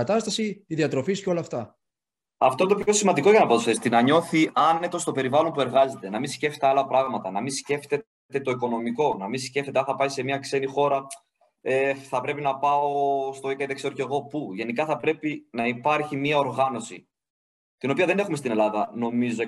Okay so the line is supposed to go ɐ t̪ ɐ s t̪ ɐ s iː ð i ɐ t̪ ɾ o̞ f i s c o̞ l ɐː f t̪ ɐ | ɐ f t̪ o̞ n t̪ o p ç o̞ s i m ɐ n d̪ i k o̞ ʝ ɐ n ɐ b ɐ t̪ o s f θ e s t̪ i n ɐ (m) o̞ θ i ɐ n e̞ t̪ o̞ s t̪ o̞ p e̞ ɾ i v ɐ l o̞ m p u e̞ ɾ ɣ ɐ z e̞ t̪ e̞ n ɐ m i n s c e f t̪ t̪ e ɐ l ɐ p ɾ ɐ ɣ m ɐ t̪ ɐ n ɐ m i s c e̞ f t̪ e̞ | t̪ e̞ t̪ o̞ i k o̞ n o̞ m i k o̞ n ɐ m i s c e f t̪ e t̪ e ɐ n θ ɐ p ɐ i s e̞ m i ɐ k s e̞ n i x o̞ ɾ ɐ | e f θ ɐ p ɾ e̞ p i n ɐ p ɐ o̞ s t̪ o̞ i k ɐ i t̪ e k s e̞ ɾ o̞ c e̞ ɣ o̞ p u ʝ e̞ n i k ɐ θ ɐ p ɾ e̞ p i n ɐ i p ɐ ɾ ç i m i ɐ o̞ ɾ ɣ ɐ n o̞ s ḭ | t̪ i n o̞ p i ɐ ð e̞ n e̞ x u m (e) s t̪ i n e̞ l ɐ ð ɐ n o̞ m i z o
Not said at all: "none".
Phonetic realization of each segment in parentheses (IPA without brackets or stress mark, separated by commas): ɲ, e